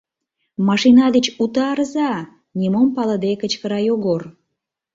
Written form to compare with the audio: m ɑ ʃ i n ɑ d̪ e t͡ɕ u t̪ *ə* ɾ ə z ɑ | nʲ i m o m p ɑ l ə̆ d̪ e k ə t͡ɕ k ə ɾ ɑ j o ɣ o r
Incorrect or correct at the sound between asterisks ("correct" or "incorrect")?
incorrect